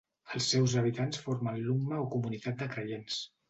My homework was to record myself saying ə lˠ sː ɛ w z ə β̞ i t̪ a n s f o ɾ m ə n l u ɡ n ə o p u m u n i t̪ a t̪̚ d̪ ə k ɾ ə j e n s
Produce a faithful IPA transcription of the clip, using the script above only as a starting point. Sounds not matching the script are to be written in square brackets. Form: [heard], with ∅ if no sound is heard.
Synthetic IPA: ə lˠ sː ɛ w z ə β̞ i t̪ a n s f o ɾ m ə n l u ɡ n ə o [k] u m u n i t̪ a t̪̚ d̪ ə k ɾ ə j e n s